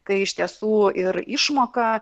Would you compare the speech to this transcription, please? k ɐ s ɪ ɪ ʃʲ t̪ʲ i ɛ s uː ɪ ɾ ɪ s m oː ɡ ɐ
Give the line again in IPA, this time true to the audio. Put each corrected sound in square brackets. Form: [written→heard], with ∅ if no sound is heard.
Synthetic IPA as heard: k ɐ [s→∅] ɪ ɪ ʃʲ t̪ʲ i ɛ s uː ɪ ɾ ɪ [s→ʃ] m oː [ɡ→k] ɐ